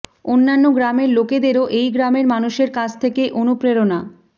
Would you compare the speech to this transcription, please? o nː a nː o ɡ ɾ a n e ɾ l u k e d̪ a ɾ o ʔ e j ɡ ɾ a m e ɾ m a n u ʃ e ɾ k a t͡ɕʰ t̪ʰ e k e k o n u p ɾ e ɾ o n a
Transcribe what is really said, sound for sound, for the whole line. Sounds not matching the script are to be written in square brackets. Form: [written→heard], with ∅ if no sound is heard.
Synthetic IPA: o nː a nː o ɡ ɾ a [n→m] e ɾ l [u→o] k e d̪ [a→e] ɾ o ʔ e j ɡ ɾ a m e ɾ m a n u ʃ e ɾ k a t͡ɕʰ t̪ʰ e k e [k→ʔ] o n u p ɾ e ɾ o n a